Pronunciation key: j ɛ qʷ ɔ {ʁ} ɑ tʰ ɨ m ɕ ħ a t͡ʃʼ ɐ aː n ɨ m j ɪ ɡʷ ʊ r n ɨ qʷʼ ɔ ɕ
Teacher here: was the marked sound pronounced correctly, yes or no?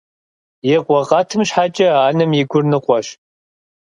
yes